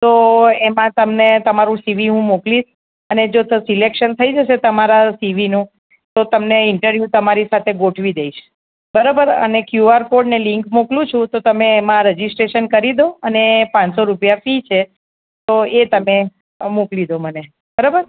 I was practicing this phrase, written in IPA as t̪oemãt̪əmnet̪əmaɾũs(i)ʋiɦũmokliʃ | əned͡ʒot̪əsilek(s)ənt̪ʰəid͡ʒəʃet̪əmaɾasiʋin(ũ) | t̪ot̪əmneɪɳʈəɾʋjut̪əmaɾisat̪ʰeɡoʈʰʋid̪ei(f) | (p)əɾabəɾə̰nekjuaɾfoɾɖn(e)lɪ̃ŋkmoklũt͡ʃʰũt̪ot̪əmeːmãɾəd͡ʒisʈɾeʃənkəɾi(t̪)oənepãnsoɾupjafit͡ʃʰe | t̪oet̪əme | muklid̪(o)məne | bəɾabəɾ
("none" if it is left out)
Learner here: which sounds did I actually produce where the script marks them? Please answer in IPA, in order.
i, ʃ, ũ, ʃ, b, e, d̪, o

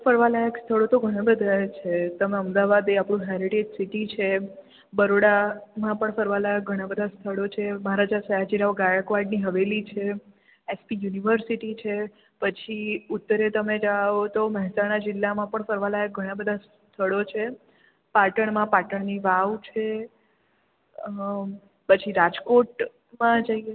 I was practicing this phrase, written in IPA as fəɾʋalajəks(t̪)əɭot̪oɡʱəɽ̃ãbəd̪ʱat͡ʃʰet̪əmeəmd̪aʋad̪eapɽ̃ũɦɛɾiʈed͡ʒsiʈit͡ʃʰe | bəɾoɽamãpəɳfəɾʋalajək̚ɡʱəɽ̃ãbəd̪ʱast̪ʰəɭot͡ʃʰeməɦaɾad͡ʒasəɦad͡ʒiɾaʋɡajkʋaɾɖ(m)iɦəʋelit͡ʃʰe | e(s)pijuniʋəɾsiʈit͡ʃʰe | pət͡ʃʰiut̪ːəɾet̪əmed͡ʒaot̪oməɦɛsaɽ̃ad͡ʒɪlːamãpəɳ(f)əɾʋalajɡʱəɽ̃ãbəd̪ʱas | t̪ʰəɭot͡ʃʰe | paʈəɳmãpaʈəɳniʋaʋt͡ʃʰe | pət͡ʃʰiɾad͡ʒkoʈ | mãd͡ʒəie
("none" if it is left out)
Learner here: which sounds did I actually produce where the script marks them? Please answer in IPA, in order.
t̪ʰ, n, s, f

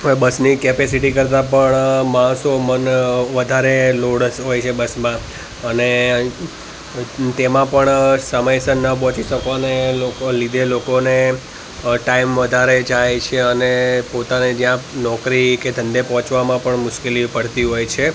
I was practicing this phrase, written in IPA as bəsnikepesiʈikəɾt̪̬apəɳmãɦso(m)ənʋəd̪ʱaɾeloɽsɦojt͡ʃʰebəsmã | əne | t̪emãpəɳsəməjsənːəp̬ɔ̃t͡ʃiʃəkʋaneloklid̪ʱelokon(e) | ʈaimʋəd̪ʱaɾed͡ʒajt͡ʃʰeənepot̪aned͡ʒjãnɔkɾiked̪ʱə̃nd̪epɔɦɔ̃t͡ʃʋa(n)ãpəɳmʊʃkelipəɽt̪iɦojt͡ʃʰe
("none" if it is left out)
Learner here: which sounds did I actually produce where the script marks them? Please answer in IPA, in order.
m, e, m

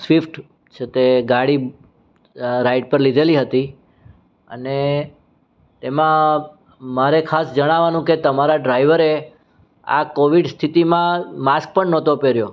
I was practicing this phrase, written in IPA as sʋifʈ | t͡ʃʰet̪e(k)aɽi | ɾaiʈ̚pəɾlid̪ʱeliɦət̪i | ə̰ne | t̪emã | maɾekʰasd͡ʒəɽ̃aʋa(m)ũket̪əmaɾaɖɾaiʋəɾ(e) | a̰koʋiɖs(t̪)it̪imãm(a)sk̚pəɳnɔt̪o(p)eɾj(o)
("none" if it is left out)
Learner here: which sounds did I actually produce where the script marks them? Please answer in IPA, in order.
ɡ, n, e, t̪ʰ, a, p, o

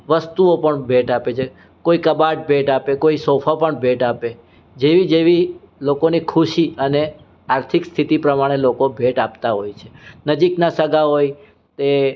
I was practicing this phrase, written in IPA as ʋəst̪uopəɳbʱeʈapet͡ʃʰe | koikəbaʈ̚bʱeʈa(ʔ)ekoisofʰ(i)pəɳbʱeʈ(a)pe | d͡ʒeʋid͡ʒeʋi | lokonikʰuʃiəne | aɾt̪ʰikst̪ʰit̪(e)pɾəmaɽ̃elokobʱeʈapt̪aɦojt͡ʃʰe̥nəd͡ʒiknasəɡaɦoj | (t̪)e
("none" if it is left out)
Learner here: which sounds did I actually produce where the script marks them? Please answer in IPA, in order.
p, a, a, i, t̪

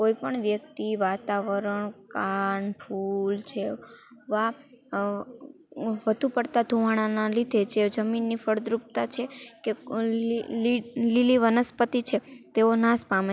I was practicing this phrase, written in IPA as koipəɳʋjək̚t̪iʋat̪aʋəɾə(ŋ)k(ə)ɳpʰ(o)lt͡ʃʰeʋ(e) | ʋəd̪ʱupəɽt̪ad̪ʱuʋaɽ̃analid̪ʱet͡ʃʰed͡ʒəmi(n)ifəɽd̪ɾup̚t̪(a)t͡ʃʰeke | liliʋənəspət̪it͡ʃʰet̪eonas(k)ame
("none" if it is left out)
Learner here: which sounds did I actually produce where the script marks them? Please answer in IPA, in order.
ɳ, a, u, a, nː, a, p

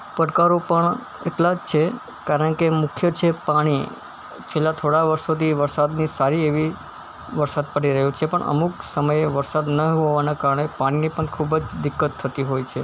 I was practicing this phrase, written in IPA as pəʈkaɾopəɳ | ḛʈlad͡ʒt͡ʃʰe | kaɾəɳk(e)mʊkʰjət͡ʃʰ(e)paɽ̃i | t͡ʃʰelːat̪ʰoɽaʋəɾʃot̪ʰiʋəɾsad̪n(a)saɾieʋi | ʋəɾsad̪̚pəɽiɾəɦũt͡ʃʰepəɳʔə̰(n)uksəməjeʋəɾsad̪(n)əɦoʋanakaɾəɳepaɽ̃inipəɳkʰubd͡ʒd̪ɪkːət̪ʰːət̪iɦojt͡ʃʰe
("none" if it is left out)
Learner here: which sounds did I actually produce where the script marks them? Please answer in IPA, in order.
e, e, i, m, n

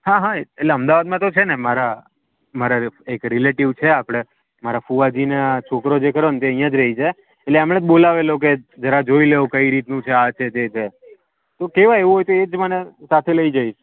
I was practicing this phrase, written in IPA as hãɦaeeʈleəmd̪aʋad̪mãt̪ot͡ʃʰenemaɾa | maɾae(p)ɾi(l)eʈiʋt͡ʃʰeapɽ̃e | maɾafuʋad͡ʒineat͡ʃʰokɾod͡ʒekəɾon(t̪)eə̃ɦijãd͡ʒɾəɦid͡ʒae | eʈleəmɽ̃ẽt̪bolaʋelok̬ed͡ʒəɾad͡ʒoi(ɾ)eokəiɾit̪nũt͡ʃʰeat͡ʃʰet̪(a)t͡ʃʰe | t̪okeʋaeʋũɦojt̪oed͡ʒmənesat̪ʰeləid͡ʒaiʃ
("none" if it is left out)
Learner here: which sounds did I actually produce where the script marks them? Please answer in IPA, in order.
k, l, t̪, l, e

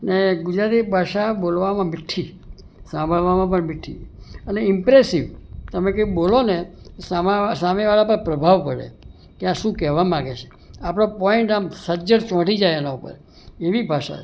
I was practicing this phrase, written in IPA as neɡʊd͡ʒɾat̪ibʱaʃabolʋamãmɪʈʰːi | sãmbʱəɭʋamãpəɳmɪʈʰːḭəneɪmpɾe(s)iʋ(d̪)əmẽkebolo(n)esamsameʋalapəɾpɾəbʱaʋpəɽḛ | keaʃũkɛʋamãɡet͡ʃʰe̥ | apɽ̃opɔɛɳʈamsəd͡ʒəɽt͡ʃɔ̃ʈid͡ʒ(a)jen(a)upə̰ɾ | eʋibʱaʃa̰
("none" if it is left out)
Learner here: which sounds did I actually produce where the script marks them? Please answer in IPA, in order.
s, t̪, n, a, a

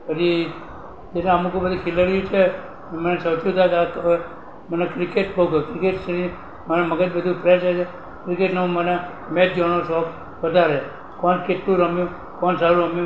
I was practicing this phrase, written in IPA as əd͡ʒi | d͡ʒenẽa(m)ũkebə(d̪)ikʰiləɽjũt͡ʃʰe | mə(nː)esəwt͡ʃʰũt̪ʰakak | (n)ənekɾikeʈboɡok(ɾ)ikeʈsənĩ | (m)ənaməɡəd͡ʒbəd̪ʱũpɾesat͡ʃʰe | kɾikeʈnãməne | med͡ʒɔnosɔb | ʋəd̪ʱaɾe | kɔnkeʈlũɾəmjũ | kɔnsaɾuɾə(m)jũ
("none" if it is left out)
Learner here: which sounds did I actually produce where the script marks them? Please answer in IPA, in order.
m, d̪, n, m, ɾ, m, m

